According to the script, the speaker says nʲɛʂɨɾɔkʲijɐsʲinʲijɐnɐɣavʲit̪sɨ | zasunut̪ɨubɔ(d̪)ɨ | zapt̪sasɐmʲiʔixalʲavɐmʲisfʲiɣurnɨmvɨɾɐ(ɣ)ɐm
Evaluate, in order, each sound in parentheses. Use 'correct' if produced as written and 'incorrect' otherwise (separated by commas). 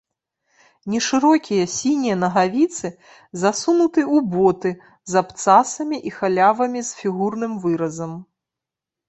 incorrect, incorrect